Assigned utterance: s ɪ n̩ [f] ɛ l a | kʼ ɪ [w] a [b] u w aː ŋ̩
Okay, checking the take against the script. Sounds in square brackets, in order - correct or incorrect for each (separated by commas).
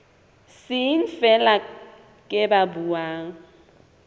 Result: correct, incorrect, correct